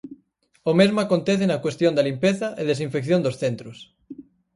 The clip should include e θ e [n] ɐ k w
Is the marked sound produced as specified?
yes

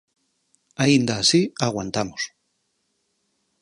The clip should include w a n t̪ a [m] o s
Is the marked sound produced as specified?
yes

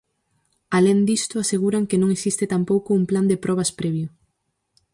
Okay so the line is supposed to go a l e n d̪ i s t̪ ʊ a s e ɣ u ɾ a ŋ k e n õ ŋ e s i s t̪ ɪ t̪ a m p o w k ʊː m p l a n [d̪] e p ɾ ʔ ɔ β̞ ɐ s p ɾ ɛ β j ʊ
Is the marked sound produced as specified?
yes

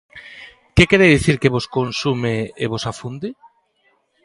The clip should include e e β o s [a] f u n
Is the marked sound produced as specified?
yes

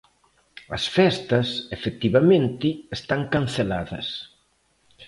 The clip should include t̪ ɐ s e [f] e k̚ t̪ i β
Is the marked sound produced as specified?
yes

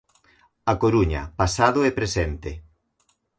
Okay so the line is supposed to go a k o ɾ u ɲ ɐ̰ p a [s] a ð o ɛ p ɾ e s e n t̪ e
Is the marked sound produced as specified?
yes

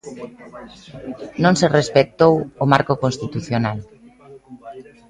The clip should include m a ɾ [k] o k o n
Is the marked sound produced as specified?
yes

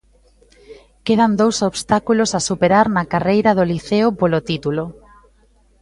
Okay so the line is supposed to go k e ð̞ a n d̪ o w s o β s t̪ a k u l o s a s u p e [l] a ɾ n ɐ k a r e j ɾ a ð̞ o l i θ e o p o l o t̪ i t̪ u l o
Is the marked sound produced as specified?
no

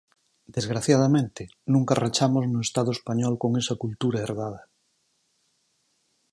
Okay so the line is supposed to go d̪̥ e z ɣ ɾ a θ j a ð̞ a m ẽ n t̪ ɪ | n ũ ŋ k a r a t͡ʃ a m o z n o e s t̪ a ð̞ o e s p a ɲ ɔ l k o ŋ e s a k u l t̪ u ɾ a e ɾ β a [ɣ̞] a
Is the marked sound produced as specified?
no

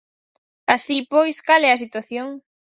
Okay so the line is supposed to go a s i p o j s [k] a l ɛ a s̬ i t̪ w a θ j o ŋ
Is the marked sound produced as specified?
yes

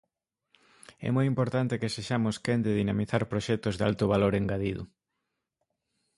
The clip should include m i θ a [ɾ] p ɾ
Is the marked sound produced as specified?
yes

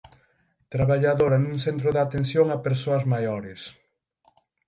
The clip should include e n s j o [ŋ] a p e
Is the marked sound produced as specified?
yes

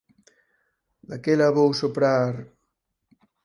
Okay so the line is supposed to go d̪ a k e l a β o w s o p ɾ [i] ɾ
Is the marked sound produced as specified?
no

